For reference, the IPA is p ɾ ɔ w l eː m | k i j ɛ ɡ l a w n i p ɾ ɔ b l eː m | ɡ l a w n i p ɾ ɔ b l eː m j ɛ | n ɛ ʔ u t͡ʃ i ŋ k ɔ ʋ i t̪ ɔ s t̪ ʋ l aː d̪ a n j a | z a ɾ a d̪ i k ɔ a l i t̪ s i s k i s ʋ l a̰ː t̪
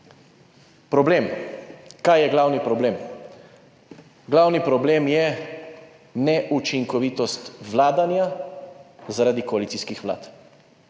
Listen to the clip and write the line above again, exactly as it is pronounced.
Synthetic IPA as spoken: p ɾ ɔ b l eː m | k a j ɛ ɡ l a w n i p ɾ ɔ b l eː m | ɡ l a w n i p ɾ ɔ b l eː m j ɛ | n ɛ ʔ u t͡ʃ i ŋ k ɔ ʋ i t̪ ɔ s t̪ ʋ l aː d̪ a n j a | z a ɾ a d̪ i k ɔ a l i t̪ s i s k i x ʋ l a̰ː t̪